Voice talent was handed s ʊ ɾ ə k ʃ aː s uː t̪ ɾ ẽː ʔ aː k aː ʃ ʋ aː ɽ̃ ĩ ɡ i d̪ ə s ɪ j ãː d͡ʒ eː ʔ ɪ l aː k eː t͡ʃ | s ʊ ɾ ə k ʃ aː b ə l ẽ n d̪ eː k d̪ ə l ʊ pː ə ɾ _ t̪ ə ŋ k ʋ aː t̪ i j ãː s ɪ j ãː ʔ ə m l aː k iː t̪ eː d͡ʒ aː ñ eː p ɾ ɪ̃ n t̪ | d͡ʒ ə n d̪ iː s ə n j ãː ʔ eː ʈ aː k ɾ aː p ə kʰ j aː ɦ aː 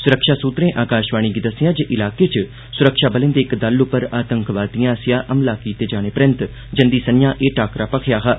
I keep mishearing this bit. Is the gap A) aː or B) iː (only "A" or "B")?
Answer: A